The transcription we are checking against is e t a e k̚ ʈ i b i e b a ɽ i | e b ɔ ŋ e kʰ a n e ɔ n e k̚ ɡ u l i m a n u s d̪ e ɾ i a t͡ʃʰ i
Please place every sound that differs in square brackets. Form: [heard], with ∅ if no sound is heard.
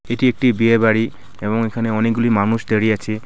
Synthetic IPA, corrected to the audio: e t [i] e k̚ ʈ i b i e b a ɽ i | e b ɔ ŋ e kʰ a n e ɔ n e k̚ ɡ u l i m a n u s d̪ e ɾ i a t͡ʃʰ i